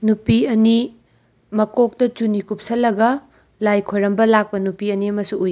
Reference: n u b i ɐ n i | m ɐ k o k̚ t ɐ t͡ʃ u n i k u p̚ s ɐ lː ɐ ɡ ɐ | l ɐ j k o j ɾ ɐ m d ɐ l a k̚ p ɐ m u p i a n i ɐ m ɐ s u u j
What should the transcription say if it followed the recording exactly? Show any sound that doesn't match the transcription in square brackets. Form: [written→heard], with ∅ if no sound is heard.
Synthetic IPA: n u [b→p] i ɐ n i | m ɐ k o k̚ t ɐ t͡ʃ u n i k u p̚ s ɐ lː ɐ ɡ ɐ | l [ɐ→a] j [k→kʰ] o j ɾ ɐ m [d→b] ɐ l a k̚ p ɐ [m→n] u p i [a→ɐ] n i ɐ m ɐ s u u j